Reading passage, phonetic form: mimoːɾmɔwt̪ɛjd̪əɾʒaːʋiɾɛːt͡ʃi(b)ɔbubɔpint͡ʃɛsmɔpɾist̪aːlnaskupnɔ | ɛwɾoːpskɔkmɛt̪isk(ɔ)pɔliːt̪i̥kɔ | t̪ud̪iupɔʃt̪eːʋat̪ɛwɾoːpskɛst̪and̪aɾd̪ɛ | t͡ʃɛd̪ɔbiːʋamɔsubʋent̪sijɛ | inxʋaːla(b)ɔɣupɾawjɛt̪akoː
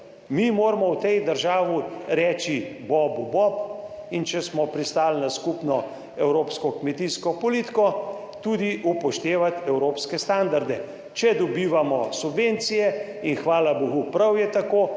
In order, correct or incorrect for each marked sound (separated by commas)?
correct, correct, correct